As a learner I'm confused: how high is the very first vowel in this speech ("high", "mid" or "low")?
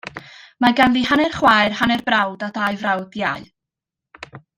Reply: low